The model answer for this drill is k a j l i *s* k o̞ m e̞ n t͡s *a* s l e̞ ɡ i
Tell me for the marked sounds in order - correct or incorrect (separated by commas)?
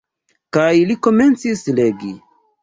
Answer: incorrect, incorrect